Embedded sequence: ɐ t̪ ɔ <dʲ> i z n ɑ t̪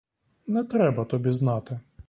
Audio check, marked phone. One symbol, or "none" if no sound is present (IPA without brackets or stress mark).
bʲ